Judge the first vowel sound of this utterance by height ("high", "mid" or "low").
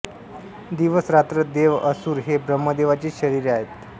high